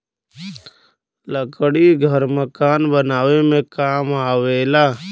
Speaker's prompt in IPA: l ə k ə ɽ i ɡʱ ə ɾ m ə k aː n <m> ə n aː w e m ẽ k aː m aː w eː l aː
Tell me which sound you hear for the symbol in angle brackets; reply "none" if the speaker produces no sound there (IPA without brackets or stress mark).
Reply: b